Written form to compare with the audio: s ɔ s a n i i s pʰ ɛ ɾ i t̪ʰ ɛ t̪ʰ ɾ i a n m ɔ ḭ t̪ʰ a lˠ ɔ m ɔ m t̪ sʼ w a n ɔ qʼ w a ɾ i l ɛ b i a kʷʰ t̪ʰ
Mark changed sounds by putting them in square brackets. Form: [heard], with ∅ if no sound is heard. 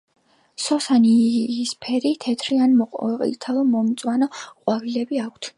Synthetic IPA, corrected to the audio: s ɔ s a n i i s pʰ ɛ ɾ i t̪ʰ ɛ t̪ʰ ɾ i a n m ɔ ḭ t̪ʰ a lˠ ɔ m ɔ m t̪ sʼ w a n ɔ qʼ w a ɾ i l ɛ b i a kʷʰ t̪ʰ